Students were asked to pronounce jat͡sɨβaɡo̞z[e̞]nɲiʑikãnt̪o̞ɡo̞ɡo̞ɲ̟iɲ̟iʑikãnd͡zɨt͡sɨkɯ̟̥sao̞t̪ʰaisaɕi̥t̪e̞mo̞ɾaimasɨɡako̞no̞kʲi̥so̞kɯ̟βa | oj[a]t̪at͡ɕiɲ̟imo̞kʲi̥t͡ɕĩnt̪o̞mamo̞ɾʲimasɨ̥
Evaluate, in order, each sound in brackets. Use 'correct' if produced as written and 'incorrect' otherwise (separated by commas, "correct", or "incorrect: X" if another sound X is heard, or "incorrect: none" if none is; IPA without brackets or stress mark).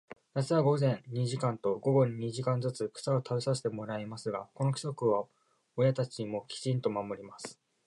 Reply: incorrect: ẽ̞, correct